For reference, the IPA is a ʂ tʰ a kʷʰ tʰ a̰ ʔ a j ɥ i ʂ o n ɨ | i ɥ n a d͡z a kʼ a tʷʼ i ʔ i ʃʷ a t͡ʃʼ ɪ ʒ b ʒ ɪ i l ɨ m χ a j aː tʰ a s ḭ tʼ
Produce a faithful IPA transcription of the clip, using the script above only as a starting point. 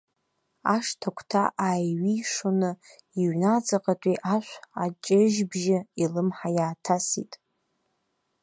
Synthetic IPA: a ʂ tʰ a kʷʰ tʰ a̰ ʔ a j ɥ i ʂ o n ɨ | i ɥ n a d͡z a qʼ a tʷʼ i ʔ a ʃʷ a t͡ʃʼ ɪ ʒ b ʒ ɪ i l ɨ m ħ a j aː tʰ a s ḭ tʼ